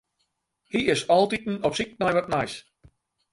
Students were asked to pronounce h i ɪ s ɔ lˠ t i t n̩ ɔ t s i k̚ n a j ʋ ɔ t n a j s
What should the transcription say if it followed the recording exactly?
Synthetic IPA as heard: h i ɪ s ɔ lˠ t i t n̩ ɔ p s i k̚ n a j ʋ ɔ t n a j s